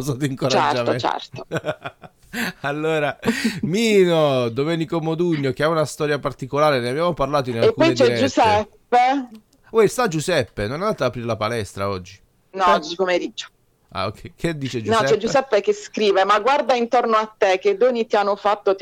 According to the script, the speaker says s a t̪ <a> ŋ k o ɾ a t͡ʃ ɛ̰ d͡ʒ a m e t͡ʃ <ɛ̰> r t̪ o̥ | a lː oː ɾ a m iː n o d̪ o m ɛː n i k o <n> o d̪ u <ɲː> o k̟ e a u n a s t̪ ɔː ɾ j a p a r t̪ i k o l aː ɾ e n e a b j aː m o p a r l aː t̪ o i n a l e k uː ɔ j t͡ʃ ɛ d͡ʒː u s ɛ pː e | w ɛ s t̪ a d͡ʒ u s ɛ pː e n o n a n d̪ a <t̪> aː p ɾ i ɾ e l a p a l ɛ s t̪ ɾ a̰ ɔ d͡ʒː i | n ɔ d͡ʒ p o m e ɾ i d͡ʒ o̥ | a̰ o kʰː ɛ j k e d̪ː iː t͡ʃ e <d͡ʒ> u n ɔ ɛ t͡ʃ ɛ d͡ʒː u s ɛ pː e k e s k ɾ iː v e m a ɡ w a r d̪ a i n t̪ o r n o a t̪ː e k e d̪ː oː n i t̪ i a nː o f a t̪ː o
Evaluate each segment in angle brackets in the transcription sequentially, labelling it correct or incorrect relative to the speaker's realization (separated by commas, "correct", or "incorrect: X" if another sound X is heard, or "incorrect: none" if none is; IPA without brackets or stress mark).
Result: incorrect: i, correct, incorrect: m, correct, correct, correct